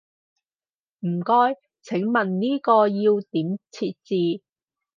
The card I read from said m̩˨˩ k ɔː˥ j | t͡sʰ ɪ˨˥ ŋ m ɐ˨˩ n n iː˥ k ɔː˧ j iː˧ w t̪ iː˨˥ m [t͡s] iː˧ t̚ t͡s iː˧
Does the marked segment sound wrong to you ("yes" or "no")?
yes